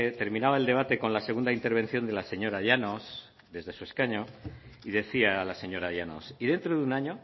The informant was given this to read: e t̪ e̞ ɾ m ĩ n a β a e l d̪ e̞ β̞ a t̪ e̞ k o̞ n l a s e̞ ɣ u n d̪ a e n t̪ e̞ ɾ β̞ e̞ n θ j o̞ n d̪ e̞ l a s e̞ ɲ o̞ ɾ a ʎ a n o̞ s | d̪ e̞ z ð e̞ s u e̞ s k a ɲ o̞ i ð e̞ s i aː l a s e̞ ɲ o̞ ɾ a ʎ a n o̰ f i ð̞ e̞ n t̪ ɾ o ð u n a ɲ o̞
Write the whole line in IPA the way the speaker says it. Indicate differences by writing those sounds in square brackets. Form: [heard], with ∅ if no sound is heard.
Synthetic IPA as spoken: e t̪ e̞ ɾ m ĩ n a β a e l d̪ e̞ β̞ a t̪ e̞ k o̞ n l a s e̞ ɣ u n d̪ a [i] n t̪ e̞ ɾ β̞ e̞ n θ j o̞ n d̪ e̞ l a s e̞ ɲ o̞ ɾ a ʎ a n o̞ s | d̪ e̞ z ð e̞ s u e̞ s k a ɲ o̞ i ð e̞ [θ] i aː l a s e̞ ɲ o̞ ɾ a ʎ a n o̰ [s] i ð̞ e̞ n t̪ ɾ o ð u n a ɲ o̞